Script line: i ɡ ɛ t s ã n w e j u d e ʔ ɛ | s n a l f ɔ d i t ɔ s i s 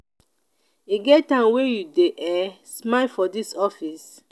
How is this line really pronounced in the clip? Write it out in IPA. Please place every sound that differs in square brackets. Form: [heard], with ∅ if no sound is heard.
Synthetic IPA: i ɡ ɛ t [t] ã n w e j u d e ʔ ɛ | s [m] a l f ɔ d i [s] ɔ [f] i s